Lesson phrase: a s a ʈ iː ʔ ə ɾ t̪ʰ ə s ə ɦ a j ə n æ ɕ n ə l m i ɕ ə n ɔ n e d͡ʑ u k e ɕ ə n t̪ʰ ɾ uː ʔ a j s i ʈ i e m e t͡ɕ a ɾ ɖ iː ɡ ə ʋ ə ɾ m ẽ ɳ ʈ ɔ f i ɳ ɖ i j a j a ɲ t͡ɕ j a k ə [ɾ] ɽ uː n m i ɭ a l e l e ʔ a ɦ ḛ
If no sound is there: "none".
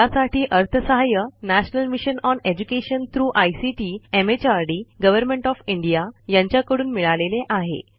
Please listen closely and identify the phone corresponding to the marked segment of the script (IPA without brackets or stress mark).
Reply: none